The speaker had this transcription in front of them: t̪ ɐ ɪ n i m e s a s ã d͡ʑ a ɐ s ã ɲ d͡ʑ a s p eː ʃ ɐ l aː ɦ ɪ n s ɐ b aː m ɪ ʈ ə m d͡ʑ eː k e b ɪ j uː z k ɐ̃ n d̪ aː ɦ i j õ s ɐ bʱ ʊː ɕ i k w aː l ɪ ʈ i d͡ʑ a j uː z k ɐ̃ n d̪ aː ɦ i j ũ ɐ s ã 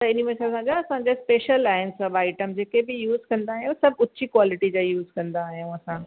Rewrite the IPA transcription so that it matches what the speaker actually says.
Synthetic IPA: t̪ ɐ ɪ n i m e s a s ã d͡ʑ a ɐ s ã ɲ d͡ʑ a s p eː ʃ ə l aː ɦ ɪ n s ɐ b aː ɪ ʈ ə m d͡ʑ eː k e b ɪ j uː z k ɐ̃ n d̪ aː ɦ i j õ s ɐ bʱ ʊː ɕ i k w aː l ɪ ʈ i d͡ʑ a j uː z k ɐ̃ n d̪ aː ɦ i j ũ ɐ s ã

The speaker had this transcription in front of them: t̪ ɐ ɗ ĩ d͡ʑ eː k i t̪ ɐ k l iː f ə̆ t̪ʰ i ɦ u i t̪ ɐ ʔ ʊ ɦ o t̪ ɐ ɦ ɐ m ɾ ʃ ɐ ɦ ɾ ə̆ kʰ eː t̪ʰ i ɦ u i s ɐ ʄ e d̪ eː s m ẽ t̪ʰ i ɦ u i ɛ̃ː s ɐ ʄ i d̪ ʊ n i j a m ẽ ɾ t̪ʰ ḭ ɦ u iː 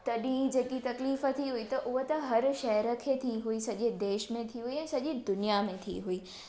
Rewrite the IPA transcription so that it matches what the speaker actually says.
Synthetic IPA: t̪ ɐ ɗ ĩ d͡ʑ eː k i t̪ ɐ k l iː f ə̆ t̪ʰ i ɦ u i t̪ ɐ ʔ ʊ ɦ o t̪ ɐ ɦ ɐ ɾ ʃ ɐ ɦ ɾ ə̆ kʰ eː t̪ʰ i ɦ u i s ɐ ʄ e d̪ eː ʃ m ẽ t̪ʰ i ɦ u i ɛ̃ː s ɐ ʄ i d̪ ʊ n i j a m ẽ t̪ʰ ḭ ɦ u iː

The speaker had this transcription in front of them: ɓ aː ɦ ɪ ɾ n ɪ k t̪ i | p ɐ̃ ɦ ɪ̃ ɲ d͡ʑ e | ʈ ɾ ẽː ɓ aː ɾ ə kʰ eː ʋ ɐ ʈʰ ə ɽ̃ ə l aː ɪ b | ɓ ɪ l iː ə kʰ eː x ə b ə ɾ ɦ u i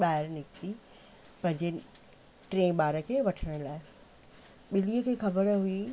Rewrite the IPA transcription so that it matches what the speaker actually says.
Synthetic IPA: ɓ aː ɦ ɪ ɾ n ɪ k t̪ i | p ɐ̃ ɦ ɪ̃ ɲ d͡ʑ e | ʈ ɾ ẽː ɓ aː ɾ ə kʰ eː ʋ ɐ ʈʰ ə ɽ̃ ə l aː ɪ | ɓ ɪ l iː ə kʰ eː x ɐ b ə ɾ ɦ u i

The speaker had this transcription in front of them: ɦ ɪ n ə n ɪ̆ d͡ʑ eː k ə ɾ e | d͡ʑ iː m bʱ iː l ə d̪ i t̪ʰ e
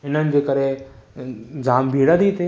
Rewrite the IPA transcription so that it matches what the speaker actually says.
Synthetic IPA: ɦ ɪ n ə n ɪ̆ d͡ʑ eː k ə ɾ e | d͡ʑ aː m bʱ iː ɽ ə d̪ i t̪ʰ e

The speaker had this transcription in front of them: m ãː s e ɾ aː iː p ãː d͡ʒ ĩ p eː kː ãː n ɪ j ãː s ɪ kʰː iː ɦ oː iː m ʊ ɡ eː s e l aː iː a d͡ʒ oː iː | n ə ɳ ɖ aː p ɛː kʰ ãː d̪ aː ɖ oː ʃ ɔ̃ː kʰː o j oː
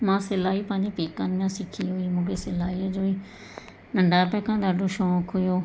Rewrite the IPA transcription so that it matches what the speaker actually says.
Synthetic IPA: m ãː s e l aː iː p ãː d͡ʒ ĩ p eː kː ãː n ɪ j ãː s ɪ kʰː iː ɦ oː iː m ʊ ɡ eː s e l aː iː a d͡ʒ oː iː | n ə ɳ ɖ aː p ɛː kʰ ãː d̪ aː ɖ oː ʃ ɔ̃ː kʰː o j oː

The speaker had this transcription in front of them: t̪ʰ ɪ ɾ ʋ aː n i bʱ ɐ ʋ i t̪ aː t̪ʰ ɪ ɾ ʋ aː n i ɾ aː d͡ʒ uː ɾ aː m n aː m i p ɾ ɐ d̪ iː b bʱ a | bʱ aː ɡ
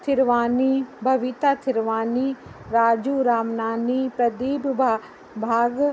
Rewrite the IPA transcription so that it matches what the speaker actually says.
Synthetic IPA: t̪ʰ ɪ ɾ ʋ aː n i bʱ ɐ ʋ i t̪ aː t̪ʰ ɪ ɾ ʋ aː n i ɾ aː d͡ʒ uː ɾ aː m n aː n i p ɾ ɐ d̪ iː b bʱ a | bʱ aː ɡ

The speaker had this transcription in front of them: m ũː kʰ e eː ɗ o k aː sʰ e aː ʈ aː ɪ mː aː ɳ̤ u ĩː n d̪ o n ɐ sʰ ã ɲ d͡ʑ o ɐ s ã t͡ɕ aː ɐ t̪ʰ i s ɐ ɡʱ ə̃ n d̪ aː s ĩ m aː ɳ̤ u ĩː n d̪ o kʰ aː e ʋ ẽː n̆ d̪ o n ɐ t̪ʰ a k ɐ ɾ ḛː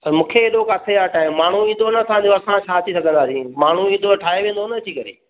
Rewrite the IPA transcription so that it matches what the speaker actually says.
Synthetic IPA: m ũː kʰ e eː ɗ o k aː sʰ e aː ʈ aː ɪ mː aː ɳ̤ u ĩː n d̪ o n ɐ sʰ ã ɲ d͡ʑ o ɐ s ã t͡ɕʰ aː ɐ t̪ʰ i s ɐ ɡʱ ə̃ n d̪ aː s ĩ m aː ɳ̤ u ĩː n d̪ o ʈʰ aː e ʋ ẽː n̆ d̪ o n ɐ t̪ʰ i k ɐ ɾ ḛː

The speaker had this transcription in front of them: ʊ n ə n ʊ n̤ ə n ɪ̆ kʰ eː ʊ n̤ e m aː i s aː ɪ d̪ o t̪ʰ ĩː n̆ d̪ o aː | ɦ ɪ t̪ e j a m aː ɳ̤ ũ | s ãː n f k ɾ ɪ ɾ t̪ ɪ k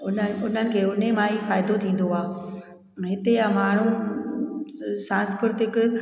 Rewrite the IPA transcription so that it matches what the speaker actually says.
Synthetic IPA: ʊ n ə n ʊ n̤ ə n ɪ̆ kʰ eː ʊ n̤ e m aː i f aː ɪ d̪ o t̪ʰ ĩː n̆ d̪ o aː | ɦ ɪ t̪ e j a m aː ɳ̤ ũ | s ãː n s k ɾ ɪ ɾ t̪ ɪ k

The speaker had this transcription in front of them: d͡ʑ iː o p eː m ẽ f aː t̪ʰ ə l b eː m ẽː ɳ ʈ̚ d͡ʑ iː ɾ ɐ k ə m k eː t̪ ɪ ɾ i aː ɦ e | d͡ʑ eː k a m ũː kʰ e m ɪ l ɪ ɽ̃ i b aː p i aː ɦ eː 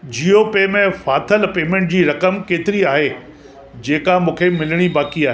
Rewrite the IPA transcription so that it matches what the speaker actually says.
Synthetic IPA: d͡ʑ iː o p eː m ẽ f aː t̪ʰ ə l p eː m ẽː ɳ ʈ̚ d͡ʑ iː ɾ ɐ k ə m k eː t̪ ɪ ɾ i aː ɦ e | d͡ʑ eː k a m ũː kʰ e m ɪ l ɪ ɽ̃ i b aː k i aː ɦ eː

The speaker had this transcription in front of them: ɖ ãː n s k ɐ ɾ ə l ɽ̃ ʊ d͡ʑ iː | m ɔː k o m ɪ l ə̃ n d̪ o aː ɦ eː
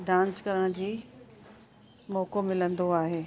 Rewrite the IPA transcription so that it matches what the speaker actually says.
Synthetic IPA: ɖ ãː n s k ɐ ɾ ə ɽ̃ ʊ d͡ʑ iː | m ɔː k o m ɪ l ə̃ n d̪ o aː ɦ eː

